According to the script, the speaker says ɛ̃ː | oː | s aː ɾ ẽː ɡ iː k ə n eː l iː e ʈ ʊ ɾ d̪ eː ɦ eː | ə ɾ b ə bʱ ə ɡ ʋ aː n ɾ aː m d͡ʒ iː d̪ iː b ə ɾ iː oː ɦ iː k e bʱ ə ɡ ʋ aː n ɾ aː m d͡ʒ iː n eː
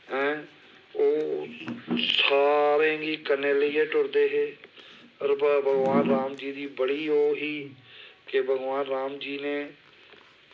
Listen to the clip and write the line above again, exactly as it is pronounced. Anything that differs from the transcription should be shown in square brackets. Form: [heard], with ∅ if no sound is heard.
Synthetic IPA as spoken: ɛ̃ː | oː | s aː ɾ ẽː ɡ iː k ə n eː l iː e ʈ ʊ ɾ d̪ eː ɦ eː | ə ɾ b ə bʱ ə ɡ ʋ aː n ɾ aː m d͡ʒ iː d̪ iː b ə [ɽ] iː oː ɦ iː k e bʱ ə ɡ ʋ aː n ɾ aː m d͡ʒ iː n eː